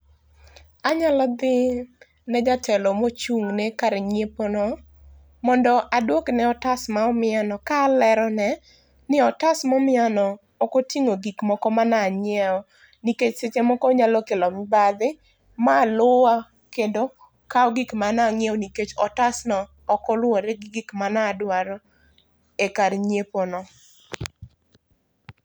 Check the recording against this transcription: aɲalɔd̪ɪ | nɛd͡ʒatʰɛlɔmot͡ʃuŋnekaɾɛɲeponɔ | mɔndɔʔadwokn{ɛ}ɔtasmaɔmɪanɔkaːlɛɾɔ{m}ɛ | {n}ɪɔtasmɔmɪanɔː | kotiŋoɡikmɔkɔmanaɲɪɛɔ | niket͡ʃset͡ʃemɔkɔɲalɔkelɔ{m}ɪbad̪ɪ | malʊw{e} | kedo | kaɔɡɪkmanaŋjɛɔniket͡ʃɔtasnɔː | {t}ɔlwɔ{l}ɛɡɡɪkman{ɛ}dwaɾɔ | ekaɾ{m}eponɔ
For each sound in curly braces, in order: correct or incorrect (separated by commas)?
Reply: correct, incorrect, correct, correct, incorrect, incorrect, incorrect, incorrect, incorrect